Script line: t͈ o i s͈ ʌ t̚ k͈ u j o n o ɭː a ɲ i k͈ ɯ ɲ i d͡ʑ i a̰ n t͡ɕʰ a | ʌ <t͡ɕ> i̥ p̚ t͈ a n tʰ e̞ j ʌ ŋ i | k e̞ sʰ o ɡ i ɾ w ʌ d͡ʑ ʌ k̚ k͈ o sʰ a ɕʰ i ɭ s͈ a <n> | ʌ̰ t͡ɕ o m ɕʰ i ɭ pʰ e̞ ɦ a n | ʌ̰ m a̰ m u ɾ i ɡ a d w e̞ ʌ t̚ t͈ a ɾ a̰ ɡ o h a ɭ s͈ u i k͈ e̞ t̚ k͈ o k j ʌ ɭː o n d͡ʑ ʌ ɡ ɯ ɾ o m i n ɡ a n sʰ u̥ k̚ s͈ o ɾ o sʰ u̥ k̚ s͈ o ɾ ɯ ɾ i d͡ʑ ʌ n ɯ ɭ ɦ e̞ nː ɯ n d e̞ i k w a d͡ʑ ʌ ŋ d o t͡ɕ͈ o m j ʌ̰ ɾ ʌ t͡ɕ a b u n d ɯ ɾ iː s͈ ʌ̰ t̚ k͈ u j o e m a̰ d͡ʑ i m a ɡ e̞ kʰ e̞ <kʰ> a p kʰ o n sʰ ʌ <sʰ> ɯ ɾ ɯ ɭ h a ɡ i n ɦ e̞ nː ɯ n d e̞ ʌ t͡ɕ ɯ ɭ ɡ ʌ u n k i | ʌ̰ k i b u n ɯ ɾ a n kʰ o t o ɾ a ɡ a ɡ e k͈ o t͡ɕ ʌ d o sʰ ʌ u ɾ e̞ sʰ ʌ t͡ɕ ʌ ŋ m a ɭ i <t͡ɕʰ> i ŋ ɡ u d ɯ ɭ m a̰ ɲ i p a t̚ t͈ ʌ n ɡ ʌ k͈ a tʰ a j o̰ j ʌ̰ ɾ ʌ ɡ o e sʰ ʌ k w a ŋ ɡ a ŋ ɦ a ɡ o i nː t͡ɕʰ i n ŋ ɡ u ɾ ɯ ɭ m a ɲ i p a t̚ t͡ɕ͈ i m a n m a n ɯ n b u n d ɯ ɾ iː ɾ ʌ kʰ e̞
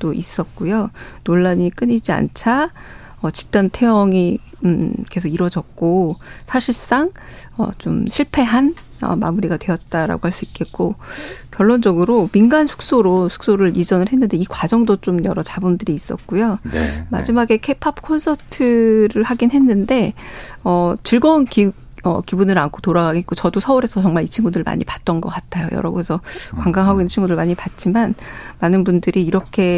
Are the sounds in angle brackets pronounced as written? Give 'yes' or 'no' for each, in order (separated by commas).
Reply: yes, no, no, no, yes